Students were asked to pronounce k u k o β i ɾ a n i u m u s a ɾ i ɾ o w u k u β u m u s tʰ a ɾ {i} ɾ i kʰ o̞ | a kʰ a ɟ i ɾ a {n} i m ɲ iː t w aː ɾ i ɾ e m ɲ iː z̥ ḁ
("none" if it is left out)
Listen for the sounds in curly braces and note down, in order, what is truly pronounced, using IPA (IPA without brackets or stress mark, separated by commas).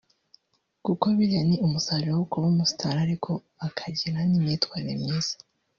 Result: a, n